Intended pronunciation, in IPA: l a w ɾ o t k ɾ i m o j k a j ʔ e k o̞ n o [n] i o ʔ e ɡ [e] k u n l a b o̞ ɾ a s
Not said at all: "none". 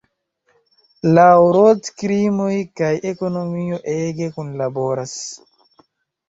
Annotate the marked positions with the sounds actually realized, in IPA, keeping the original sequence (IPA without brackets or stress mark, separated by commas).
m, e